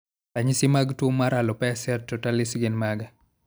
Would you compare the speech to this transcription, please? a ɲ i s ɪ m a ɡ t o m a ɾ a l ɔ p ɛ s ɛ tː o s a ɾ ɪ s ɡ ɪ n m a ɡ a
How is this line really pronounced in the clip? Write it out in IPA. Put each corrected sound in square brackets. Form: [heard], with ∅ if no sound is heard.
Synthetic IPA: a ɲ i s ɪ m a ɡ t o m a ɾ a l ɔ p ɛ s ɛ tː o [t] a [l] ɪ s ɡ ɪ n m a ɡ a